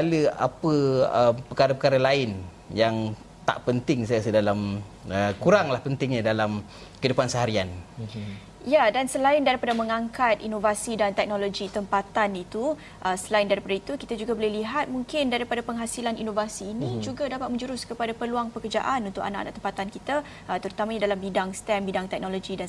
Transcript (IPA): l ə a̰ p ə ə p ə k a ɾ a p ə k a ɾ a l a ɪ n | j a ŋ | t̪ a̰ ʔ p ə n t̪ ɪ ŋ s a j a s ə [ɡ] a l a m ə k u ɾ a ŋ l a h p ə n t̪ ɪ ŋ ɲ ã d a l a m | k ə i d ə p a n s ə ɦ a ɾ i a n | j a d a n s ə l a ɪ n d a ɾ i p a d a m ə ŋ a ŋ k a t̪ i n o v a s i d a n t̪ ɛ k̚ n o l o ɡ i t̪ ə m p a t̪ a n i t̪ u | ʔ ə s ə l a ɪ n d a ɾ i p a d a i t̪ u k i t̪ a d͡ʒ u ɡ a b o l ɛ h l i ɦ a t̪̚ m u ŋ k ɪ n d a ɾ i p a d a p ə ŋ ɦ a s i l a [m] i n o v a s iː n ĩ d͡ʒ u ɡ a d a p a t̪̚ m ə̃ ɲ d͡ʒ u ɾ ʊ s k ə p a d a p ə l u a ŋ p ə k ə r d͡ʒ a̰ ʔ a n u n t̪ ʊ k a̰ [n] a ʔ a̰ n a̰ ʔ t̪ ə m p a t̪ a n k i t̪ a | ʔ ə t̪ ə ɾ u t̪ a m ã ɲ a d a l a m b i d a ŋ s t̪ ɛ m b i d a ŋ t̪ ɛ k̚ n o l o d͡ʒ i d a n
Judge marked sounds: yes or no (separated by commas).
no, no, yes